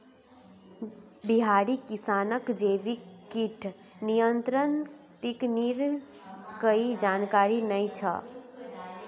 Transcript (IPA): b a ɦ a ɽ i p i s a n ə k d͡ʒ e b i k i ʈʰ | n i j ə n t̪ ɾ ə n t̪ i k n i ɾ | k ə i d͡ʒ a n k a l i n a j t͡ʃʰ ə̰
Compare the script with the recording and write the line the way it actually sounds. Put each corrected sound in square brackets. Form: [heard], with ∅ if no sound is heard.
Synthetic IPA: b [i] ɦ a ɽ i [k] i s a n ə k d͡ʒ e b i k i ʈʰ | n i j ə n t̪ ɾ ə n t̪ i k n i ɾ | k ə i d͡ʒ a n k a [ɾ] i n [ə] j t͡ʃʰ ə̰

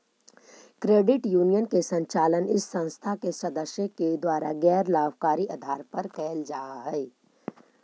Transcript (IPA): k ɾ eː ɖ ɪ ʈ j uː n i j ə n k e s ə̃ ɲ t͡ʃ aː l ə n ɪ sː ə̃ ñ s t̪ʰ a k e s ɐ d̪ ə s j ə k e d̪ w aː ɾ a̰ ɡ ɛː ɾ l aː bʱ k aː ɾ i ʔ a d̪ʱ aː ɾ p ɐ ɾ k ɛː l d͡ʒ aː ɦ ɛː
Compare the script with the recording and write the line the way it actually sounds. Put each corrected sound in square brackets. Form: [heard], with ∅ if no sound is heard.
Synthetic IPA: k ɾ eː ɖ ɪ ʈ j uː n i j ə n k e s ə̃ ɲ t͡ʃ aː l ə n ɪ sː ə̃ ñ s t̪ʰ a k e s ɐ d̪ ə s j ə k e d̪ w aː ɾ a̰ ɡ ɛː ɾ l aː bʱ k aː ɾ i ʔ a d̪ʱ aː ɾ p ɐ ɾ k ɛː l d͡ʒ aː ɦ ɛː

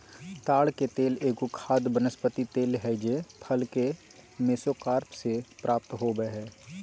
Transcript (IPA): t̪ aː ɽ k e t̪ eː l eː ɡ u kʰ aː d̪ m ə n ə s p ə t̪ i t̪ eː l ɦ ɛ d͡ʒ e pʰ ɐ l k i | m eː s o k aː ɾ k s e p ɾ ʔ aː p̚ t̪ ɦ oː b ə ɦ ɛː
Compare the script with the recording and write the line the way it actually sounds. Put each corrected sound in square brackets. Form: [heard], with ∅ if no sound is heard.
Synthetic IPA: t̪ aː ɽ k e t̪ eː l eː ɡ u kʰ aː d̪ [b] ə n ə s p ə t̪ i t̪ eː l ɦ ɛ d͡ʒ e pʰ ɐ l k [e] | m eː s o k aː ɾ [p] s e p ɾ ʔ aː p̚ t̪ ɦ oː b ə ɦ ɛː

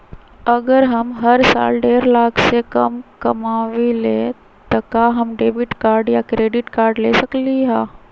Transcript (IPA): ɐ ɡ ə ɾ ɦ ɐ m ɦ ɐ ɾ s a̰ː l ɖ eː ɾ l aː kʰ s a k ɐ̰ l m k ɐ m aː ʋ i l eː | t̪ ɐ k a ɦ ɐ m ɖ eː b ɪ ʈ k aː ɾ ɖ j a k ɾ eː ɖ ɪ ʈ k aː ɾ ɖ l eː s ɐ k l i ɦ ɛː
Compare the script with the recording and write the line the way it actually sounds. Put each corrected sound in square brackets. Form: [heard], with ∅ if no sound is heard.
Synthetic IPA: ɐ ɡ ə ɾ ɦ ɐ m ɦ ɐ ɾ s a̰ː l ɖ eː ɾ l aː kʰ s [e] k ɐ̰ [∅] m k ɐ m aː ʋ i l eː | t̪ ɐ k a ɦ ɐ m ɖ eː b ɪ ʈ k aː ɾ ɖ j a k ɾ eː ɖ ɪ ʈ k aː ɾ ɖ l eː s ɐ k l i ɦ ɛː

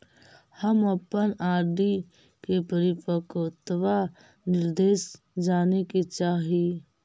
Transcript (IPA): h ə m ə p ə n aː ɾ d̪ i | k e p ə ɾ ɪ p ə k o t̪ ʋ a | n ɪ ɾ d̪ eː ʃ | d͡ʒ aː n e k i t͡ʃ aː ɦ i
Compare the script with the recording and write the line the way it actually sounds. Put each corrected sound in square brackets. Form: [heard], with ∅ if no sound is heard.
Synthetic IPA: h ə m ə p ə n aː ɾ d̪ i | k e p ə ɾ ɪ p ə k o t̪ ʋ a | n ɪ ɾ d̪ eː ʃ | d͡ʒ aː n e k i t͡ʃ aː ɦ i

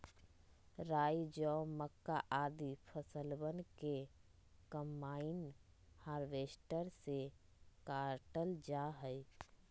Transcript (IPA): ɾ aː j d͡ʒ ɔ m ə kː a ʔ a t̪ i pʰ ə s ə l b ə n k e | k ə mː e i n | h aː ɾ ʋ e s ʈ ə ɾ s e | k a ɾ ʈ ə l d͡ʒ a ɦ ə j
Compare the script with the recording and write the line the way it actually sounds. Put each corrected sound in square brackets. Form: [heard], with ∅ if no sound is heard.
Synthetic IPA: ɾ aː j d͡ʒ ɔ m ə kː a ʔ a [d̪] i pʰ ə s ə l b ə n k e | k ə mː [a] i n | h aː ɾ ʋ e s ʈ ə ɾ s e | k a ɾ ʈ ə l d͡ʒ a ɦ ə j

